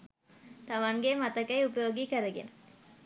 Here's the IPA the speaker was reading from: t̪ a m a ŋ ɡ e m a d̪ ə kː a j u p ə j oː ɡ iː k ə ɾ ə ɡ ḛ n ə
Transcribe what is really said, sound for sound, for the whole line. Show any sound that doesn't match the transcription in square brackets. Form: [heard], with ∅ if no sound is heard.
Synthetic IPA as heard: t̪ a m a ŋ ɡ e m a [t̪] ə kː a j u p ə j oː ɡ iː k ə ɾ ə ɡ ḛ n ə